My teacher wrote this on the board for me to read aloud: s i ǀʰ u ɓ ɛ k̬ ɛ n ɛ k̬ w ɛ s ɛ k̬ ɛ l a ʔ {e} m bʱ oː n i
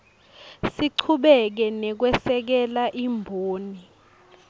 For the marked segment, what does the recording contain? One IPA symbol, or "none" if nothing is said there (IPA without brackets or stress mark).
i